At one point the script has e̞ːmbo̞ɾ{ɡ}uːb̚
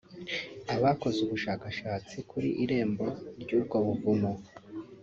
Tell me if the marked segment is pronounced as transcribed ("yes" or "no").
no